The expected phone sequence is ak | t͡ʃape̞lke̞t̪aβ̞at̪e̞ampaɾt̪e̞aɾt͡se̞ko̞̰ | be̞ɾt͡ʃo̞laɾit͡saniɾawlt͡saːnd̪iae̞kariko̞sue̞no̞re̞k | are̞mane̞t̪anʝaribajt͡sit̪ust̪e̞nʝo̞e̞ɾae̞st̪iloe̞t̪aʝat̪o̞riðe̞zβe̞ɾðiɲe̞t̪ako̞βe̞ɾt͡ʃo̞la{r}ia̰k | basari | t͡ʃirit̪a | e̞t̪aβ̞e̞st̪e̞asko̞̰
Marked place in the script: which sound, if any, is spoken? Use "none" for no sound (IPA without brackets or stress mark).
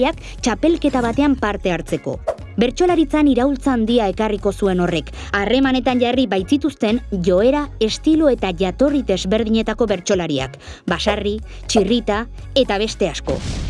ɾ